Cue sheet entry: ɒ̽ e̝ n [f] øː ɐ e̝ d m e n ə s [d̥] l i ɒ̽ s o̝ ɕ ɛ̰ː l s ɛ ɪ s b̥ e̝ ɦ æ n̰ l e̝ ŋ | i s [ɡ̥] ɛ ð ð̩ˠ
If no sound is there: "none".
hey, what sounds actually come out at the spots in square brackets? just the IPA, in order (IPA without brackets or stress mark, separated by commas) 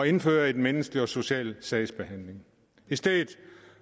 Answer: f, ɡ̥, d̥